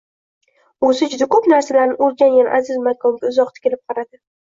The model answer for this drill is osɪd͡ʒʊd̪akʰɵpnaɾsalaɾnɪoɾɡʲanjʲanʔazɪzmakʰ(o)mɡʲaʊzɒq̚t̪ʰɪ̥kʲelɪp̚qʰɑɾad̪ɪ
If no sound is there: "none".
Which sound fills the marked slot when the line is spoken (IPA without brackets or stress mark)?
ɒ